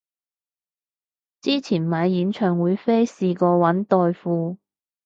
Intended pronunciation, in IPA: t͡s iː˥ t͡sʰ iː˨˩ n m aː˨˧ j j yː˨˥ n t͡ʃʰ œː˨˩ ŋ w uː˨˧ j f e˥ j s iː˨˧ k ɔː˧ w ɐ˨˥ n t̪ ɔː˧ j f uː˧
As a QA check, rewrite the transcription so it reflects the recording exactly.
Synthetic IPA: t͡s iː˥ t͡sʰ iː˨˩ n m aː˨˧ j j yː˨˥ n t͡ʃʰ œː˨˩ ŋ w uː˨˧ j f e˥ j s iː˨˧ k ɔː˧ w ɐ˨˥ n t̪ ɔː˧ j f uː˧